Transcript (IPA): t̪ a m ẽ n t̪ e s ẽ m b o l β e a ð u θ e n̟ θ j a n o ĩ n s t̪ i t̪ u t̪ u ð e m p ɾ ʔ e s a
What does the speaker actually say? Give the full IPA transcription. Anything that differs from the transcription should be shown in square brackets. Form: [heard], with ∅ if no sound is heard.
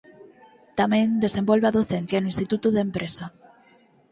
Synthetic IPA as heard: t̪ a m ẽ n [d̪] e s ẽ m b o l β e a ð [o] θ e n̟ θ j a n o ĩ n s t̪ i t̪ u t̪ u ð e m p ɾ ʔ e s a

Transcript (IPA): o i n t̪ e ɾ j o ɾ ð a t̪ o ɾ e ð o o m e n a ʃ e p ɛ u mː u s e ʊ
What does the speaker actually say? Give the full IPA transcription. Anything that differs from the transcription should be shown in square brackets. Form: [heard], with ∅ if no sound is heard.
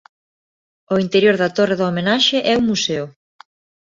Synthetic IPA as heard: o i n t̪ e ɾ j o ɾ ð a t̪ o [r] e ð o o m e n a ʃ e [ʔ] ɛ u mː u s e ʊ

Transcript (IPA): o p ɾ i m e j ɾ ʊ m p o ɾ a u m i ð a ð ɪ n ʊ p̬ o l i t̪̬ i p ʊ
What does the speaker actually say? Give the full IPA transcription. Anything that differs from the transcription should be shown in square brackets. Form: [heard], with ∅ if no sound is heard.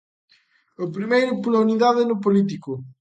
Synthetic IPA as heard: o p ɾ i m e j ɾ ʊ [∅] p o [l] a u [n] i ð a ð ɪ n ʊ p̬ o l i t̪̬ i [k] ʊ

